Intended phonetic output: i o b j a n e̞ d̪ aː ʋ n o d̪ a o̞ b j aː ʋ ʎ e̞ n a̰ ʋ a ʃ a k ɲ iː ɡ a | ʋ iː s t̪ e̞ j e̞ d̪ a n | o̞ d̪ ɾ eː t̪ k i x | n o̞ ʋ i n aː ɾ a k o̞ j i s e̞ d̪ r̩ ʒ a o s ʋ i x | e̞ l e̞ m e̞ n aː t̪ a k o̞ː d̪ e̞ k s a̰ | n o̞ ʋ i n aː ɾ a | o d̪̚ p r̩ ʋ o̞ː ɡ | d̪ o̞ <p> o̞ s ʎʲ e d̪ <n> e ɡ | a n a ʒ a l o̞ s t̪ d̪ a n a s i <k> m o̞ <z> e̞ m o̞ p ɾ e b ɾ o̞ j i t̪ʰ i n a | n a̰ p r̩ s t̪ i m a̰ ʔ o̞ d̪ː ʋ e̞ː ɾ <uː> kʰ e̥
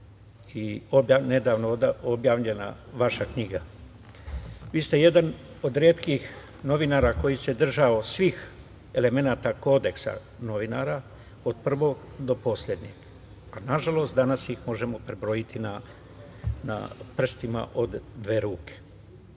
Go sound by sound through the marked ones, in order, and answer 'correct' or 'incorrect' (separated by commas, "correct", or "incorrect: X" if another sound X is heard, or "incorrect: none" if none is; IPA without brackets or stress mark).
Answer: correct, incorrect: ɲ, incorrect: x, incorrect: ʒ, correct